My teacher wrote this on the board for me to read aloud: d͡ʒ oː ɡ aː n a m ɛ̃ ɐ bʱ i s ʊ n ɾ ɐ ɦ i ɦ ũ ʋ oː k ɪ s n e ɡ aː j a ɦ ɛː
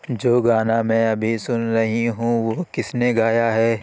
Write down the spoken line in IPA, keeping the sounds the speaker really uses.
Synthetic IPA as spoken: d͡ʒ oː ɡ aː n a m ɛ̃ ɐ bʱ i s ʊ n ɾ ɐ ɦ i ɦ ũ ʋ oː k ɪ s n e ɡ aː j a ɦ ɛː